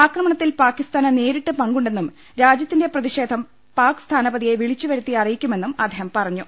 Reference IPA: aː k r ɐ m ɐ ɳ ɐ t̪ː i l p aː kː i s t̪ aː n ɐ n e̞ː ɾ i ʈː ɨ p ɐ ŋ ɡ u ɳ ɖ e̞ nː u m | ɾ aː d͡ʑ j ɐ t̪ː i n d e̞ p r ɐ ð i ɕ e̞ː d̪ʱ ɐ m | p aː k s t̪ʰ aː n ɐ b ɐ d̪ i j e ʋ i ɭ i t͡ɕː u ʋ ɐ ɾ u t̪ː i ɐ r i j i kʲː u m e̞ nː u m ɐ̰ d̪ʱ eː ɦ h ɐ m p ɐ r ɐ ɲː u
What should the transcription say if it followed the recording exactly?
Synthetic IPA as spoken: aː k r ɐ m ɐ ɳ ɐ t̪ː i l p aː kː i s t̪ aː n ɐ n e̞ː ɾ i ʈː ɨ p ɐ ŋ ɡ u ɳ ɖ e̞ nː u m | ɾ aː d͡ʑ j ɐ t̪ː i n d e̞ p r ɐ ð i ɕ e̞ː d̪ʱ ɐ m | p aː k s t̪ʰ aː n ɐ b ɐ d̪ i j e ʋ i ɭ i t͡ɕː u ʋ ɐ ɾ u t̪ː i ɐ r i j i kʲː u m e̞ nː u m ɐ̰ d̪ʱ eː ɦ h ɐ m p ɐ r ɐ ɲː u